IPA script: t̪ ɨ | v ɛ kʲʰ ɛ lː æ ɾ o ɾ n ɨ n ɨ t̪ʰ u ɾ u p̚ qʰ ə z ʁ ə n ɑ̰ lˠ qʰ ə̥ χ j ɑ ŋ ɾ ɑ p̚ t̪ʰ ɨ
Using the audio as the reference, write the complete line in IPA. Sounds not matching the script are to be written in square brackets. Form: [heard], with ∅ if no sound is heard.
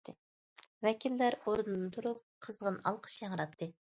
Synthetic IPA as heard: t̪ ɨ | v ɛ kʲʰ [i] lː æ ɾ o ɾ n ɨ n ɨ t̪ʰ u ɾ u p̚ qʰ ə z ʁ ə n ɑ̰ lˠ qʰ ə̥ [ʃ] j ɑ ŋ ɾ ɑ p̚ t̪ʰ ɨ